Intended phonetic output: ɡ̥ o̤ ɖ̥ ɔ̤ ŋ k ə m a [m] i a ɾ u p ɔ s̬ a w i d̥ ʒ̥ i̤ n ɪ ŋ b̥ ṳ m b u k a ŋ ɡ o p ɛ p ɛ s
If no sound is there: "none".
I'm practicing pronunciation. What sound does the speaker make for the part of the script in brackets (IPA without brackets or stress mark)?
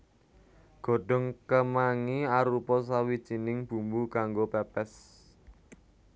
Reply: ŋ